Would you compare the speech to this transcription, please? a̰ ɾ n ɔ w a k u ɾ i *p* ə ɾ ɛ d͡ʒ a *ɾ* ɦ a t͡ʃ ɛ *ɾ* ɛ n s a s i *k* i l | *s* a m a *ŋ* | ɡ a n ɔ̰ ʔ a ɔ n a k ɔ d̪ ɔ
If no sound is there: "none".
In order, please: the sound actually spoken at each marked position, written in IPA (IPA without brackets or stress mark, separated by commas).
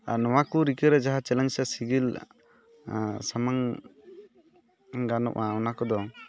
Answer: k, none, l, ɡ, s, ŋ